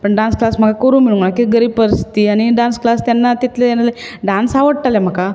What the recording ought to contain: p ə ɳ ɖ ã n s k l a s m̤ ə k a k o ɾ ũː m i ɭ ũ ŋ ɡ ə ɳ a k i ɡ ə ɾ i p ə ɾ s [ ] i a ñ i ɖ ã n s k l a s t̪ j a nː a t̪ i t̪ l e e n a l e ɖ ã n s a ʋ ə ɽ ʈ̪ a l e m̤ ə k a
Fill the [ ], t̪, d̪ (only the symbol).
t̪